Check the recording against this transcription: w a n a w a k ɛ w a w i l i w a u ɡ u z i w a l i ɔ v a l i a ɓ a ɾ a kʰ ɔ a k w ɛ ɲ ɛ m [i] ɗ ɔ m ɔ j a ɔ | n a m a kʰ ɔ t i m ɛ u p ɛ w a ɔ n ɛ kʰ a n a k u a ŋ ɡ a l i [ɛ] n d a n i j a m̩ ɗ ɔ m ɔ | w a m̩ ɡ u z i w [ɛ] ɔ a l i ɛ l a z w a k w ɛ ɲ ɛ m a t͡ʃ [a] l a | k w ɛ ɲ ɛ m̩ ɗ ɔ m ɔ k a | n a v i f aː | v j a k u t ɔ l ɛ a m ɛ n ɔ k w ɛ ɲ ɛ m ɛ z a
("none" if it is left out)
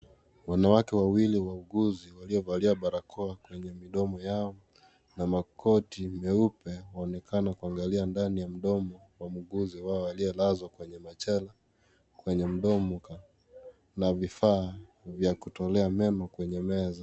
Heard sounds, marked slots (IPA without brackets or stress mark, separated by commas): i, a, a, ɛ